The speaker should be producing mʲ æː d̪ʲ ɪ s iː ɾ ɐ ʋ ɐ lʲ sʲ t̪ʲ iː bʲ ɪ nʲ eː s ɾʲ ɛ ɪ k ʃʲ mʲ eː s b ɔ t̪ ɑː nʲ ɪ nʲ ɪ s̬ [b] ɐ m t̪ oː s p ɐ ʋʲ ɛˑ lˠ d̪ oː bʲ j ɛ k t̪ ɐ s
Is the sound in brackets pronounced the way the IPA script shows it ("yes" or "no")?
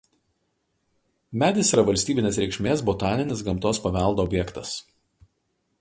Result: no